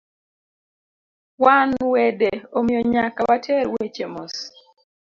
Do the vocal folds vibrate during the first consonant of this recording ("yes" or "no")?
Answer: yes